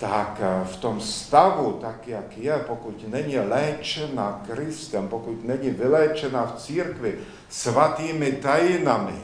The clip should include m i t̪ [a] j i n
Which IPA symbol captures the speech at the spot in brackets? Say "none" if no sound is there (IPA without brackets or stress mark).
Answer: a